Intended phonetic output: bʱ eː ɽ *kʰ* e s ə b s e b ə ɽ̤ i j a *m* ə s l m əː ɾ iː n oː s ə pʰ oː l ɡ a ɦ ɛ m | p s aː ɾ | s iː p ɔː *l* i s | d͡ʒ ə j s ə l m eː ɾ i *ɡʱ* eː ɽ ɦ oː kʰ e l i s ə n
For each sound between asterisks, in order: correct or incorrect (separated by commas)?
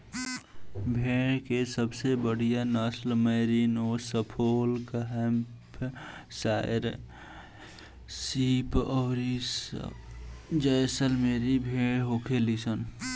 incorrect, incorrect, incorrect, incorrect